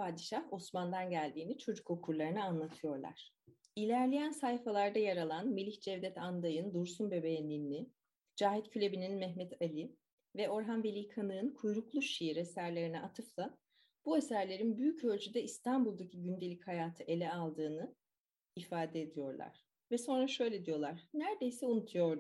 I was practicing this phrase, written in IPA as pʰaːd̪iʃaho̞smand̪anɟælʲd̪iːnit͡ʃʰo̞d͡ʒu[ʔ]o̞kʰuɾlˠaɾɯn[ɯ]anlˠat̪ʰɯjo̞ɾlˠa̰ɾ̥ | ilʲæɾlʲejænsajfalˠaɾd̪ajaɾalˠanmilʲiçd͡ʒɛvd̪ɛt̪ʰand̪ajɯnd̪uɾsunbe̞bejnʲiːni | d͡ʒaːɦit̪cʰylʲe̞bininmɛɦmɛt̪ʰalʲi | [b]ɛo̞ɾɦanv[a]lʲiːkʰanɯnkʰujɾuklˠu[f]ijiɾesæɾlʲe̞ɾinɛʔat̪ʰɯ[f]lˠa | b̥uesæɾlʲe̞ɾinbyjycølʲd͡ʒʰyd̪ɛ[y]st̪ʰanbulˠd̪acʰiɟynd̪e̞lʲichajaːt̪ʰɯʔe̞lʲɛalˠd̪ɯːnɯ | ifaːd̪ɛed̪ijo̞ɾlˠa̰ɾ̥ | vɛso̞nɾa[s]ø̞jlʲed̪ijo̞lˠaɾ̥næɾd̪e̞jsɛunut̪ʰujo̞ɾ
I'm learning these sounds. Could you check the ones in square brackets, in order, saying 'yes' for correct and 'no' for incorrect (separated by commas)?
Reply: no, yes, no, no, no, yes, no, no